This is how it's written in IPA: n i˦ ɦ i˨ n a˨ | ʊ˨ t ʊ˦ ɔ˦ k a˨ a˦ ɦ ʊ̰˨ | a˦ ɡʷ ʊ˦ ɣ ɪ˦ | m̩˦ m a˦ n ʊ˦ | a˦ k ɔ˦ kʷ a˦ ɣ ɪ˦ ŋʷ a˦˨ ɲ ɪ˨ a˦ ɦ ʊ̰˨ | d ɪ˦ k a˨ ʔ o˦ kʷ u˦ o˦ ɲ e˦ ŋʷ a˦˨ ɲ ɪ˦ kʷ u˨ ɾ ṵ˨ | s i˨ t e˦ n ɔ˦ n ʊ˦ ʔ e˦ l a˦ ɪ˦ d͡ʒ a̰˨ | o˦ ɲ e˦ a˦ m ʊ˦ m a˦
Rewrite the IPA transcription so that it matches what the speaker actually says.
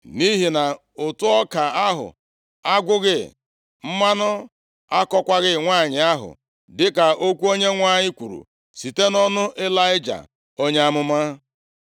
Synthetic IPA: n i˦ ɦ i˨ n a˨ | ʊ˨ t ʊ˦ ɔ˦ k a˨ a˦ ɦ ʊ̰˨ | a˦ ɡʷ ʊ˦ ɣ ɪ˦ | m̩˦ m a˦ n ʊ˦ | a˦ k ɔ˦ kʷ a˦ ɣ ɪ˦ ŋʷ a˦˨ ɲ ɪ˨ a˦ ɦ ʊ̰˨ | d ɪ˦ k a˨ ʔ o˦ kʷ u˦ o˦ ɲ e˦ ŋʷ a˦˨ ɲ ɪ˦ kʷ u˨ ɾ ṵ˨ | s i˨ t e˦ n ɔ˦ n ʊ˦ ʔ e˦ l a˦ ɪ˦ d͡ʒ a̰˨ | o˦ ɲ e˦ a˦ m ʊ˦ m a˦